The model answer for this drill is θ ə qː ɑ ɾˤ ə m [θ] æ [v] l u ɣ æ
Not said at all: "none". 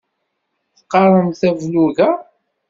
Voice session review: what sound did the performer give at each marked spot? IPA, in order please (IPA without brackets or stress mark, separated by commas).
θ, v